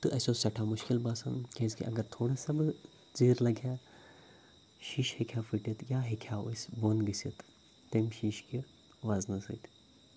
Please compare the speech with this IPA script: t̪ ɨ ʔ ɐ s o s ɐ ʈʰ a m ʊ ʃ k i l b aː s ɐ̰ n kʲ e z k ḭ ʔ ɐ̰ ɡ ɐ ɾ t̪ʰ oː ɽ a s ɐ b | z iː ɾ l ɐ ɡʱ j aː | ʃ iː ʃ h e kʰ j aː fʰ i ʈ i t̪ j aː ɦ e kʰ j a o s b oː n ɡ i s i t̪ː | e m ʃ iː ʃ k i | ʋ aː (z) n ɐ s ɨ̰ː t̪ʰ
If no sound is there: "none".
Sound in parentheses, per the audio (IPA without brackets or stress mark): z